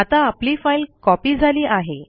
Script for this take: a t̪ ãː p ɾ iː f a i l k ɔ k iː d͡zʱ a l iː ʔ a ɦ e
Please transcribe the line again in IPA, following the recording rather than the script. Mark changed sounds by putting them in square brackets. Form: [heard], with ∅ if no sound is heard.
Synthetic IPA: a t̪ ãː p [l] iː f a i l k ɔ [p] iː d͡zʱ a l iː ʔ a ɦ e